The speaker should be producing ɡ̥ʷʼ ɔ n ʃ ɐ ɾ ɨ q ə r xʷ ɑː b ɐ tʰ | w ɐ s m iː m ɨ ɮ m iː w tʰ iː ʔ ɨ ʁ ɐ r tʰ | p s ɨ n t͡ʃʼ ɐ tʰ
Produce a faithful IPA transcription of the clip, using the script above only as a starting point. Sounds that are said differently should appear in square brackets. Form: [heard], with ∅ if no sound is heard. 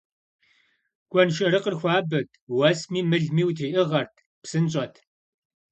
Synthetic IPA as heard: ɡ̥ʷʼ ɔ n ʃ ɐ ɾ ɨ q ə r xʷ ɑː b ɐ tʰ | w ɐ s m iː m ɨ ɮ m iː w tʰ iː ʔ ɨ ʁ ɐ r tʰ | p s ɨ n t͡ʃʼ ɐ tʰ